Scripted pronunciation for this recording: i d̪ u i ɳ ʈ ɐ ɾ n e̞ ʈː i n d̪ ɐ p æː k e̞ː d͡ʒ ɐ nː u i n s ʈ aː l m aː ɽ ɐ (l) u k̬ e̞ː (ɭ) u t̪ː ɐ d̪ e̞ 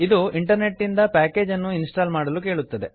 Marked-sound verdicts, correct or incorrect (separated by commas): correct, correct